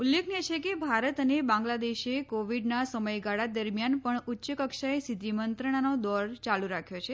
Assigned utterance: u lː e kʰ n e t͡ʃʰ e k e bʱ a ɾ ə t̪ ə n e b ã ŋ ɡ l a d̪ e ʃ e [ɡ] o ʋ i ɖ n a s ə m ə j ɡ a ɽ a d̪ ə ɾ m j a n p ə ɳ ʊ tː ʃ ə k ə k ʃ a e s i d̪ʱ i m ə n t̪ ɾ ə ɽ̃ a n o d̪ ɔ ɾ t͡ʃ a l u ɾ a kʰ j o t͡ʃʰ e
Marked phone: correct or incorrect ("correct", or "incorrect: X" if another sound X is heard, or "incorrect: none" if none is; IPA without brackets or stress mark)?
incorrect: k